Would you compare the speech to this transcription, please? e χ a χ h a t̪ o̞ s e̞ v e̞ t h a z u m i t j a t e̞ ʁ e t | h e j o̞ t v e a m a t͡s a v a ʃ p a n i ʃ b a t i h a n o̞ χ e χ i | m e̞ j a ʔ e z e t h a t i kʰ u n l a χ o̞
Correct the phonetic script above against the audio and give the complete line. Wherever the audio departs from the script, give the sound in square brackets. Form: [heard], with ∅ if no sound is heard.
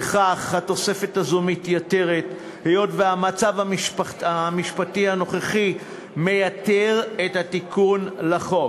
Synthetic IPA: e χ a χ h a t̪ o̞ s e̞ [f] e̞ t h a z u m i t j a t e̞ ʁ e t | h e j o̞ t v e a m a t͡s a v a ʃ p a [m] i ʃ [p] a t i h a n o̞ χ e χ i | m e̞ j a [t] e [ʁ] e t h a t i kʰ u n l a χ o̞